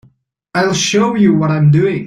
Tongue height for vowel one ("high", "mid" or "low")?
low